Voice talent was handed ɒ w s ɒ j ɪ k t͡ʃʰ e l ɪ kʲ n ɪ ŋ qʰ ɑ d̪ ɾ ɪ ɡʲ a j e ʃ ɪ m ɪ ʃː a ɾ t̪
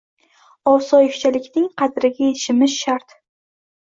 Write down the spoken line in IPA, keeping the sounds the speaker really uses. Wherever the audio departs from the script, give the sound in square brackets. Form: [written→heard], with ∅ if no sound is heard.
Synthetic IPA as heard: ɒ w s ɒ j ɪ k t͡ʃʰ [e→a] l ɪ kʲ n ɪ ŋ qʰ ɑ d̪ ɾ ɪ ɡʲ a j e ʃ ɪ m ɪ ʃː a ɾ t̪